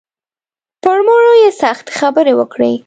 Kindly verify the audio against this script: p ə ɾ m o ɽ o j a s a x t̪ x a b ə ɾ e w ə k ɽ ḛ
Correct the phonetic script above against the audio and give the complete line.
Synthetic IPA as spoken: p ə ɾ m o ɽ o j e s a x t̪ x a b ə ɾ e w ə k ɽ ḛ